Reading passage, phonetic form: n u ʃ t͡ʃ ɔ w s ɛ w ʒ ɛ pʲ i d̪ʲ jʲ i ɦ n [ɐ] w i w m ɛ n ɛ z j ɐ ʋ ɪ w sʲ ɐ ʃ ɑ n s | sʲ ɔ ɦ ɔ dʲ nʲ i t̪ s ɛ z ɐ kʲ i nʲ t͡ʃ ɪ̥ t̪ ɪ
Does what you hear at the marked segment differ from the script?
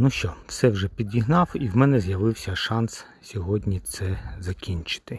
yes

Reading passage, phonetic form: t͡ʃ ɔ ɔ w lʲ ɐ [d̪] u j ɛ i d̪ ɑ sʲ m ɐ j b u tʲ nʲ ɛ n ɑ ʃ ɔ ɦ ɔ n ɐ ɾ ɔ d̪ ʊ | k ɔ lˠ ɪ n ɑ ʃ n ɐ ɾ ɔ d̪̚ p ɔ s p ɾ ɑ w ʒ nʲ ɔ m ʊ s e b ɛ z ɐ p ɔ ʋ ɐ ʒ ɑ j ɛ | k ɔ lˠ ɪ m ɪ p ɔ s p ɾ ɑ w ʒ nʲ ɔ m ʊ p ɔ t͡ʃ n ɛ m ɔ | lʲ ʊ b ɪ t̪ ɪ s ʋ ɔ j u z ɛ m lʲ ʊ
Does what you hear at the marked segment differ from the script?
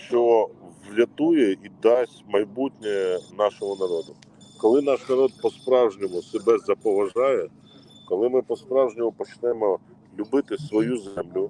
yes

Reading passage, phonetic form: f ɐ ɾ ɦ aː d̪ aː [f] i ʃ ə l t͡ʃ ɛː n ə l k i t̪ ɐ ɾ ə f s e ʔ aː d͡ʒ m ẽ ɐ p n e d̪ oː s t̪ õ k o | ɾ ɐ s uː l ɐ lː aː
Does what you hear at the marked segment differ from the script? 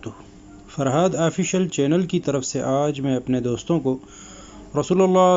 no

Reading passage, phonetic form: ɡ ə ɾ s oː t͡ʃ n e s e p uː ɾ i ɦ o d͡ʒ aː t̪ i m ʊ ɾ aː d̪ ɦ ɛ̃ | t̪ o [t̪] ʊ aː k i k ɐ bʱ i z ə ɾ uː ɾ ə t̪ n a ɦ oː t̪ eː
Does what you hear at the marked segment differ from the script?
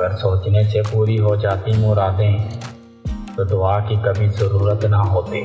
yes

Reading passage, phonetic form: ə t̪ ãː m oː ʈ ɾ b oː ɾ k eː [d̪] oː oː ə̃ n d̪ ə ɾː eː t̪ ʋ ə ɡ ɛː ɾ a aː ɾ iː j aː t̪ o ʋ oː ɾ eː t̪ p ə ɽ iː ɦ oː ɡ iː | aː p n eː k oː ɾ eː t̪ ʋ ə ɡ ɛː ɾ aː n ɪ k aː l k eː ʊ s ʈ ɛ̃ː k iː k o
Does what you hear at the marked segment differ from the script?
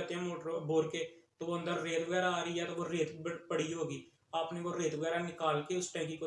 yes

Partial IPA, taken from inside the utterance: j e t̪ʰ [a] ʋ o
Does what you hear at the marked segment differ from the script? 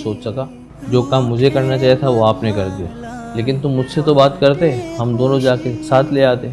no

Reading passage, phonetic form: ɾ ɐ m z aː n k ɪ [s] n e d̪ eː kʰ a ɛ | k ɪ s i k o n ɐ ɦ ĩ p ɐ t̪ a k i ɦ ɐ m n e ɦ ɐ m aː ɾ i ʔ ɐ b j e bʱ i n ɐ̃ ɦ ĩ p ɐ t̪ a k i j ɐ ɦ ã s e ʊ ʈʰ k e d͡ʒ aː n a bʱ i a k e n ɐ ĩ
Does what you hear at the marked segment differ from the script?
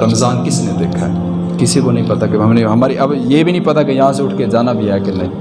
no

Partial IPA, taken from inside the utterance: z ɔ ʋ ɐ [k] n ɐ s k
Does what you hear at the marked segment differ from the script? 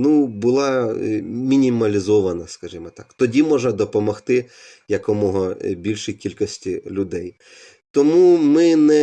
yes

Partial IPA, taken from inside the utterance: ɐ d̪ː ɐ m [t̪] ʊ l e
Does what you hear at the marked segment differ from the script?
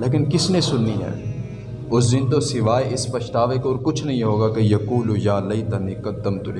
no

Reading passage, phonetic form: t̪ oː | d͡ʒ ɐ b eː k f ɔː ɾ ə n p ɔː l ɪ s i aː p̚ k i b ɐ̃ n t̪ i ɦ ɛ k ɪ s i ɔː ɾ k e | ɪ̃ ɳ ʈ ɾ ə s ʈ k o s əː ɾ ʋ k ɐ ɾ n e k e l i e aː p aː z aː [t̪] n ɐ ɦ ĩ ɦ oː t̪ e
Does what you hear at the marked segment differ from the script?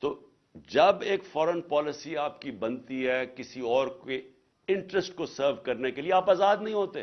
yes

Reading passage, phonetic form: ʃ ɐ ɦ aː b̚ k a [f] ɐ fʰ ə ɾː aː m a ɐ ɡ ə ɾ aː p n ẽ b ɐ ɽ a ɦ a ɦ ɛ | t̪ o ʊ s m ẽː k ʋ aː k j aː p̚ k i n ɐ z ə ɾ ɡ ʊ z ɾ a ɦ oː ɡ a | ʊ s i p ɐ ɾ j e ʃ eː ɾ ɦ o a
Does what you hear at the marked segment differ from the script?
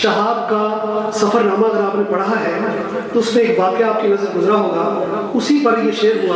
yes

